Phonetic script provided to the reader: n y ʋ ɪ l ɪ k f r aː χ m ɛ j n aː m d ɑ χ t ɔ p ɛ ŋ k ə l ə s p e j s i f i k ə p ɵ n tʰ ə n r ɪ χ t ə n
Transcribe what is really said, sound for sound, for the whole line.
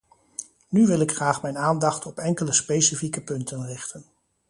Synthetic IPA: n y ʋ ɪ l ɪ k χ r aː χ m ɛ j n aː n d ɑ χ t ɔ p ɛ ŋ k ə l ə s p e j s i f i k ə p ɵ n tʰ ə n r ɪ χ t ə n